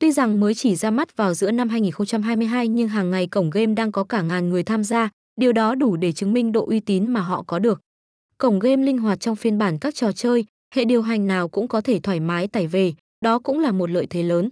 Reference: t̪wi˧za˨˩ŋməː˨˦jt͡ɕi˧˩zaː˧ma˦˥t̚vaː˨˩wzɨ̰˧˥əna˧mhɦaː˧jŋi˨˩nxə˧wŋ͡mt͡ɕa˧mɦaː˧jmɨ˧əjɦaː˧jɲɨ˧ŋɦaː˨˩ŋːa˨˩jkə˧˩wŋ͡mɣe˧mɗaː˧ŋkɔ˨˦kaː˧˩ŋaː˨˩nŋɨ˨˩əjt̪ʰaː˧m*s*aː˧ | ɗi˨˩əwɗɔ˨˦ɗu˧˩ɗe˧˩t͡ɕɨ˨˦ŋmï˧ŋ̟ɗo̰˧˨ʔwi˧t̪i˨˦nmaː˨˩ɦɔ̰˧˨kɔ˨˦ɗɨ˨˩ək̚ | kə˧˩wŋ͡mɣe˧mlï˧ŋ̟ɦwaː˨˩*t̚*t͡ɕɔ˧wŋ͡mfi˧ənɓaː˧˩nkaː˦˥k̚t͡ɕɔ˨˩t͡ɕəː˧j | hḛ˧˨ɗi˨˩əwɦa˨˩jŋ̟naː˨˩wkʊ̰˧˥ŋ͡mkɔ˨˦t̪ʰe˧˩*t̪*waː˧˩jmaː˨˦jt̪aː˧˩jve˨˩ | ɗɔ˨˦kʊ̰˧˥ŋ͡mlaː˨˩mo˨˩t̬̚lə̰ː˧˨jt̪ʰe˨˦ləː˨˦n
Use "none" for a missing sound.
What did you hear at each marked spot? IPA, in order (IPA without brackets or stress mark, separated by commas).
z, t̚, t̪ʰ